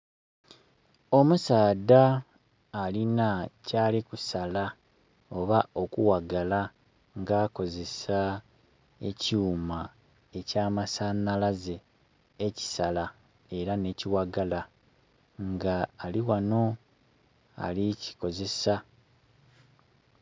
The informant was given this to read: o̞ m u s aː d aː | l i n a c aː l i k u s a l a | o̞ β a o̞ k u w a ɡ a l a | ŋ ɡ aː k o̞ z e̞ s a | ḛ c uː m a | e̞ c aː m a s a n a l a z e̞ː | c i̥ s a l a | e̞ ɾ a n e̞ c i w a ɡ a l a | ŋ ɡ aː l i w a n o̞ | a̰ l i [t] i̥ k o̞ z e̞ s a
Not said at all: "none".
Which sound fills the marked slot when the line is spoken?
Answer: c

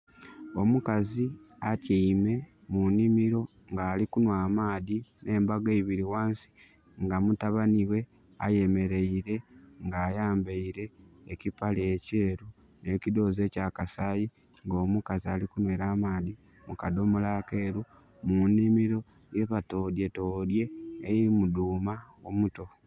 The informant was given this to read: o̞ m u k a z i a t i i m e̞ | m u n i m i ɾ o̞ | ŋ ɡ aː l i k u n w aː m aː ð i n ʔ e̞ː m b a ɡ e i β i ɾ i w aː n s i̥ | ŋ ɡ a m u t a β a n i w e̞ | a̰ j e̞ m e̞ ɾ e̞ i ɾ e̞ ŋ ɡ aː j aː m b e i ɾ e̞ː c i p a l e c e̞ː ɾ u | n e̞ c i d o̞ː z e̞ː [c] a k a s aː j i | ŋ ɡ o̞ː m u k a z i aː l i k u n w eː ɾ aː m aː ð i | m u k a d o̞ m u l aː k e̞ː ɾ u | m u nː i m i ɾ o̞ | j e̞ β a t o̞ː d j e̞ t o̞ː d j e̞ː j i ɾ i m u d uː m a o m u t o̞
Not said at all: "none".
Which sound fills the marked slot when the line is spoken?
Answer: c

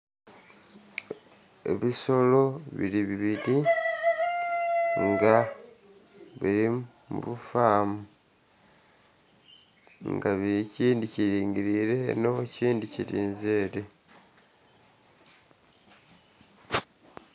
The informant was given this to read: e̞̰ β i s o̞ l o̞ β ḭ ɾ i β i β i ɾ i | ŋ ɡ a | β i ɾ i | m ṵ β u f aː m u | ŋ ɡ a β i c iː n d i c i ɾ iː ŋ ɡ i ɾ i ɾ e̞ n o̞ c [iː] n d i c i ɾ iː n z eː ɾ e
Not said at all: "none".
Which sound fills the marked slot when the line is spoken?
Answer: iː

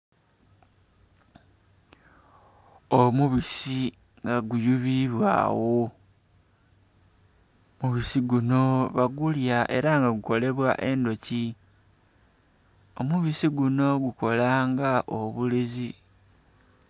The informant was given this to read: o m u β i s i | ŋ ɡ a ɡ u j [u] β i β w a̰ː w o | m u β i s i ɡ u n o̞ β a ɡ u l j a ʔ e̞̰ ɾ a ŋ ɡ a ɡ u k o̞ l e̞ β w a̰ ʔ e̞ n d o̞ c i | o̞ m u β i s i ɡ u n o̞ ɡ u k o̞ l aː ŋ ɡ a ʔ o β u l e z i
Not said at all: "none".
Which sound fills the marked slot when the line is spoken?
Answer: u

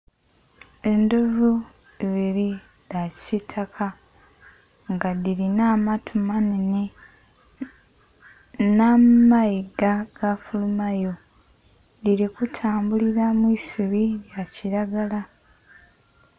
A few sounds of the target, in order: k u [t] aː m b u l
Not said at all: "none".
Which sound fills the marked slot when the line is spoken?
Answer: tʰ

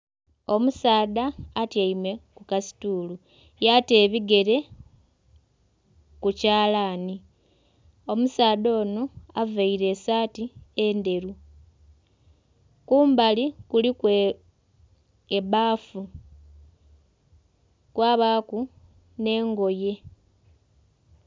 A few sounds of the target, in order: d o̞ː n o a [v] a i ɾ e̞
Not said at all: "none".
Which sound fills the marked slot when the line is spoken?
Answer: v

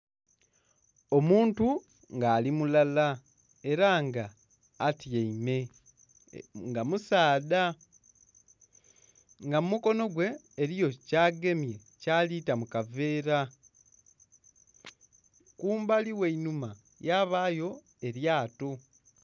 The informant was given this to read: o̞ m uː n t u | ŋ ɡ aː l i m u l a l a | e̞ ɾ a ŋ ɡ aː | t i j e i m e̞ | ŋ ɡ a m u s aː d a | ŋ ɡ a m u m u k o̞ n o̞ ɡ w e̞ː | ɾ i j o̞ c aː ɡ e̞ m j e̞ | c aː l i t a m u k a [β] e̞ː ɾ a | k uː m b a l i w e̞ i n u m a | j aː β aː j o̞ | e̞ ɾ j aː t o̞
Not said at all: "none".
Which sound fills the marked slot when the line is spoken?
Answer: v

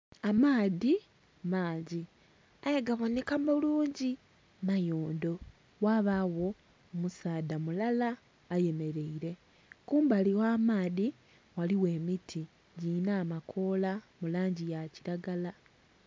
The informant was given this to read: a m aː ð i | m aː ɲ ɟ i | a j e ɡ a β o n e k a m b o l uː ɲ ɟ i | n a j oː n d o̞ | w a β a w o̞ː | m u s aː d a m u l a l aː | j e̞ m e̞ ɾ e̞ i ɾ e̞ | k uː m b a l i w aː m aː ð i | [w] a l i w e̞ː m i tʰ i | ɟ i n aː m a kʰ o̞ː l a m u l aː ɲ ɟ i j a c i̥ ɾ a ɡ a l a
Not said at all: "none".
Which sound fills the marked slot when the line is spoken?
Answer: w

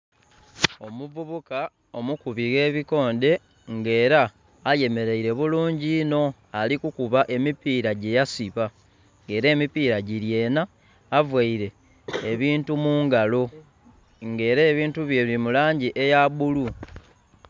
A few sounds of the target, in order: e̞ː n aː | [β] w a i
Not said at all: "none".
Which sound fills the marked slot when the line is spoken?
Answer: v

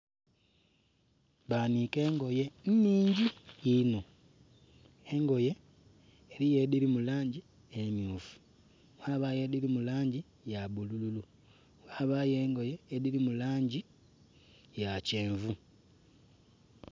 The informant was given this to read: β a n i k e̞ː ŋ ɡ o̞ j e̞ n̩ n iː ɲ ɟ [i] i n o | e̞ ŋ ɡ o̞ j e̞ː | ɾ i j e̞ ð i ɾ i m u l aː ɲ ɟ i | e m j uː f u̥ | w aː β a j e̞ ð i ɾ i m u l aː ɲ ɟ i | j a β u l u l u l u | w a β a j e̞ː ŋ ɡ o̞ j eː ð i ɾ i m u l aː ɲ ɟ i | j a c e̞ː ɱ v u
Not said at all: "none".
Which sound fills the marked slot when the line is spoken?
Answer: i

